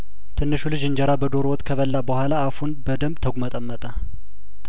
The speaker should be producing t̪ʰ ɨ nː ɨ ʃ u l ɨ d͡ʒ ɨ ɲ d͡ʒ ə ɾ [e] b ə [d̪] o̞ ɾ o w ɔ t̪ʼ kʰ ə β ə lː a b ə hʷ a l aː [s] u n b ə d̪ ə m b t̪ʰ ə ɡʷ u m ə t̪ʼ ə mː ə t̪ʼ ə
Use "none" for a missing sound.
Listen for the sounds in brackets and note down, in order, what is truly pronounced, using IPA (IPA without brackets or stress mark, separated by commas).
a, d̪, f